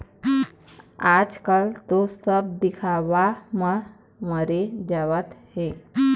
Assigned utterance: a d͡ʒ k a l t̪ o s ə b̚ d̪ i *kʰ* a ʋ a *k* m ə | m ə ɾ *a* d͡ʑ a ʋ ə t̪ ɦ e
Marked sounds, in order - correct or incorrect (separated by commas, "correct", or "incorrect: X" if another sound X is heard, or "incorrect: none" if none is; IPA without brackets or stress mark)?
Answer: correct, incorrect: none, incorrect: e